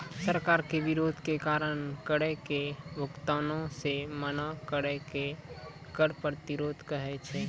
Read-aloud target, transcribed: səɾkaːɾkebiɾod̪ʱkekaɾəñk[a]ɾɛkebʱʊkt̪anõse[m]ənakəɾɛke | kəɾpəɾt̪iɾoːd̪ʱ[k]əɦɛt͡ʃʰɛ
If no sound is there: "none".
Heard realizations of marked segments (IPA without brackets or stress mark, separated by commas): ə, m, k